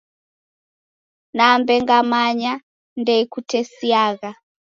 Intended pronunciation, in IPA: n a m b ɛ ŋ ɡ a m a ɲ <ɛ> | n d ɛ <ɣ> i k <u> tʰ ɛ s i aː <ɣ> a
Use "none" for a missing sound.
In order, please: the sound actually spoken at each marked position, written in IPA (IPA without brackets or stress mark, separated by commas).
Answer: a, none, u, ɣ